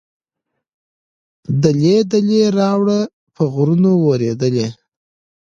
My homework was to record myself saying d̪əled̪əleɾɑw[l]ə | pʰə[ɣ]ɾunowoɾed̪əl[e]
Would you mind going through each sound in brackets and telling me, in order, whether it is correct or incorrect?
incorrect: ɽ, correct, correct

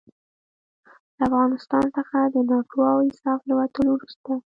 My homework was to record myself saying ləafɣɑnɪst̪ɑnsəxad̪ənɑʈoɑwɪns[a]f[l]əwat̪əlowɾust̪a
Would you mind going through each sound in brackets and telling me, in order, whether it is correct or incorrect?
incorrect: ɑ, correct

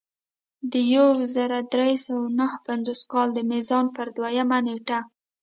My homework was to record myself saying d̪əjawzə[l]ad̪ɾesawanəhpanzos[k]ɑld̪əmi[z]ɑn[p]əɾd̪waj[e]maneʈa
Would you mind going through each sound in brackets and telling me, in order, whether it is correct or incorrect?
incorrect: ɾ, correct, correct, correct, incorrect: a

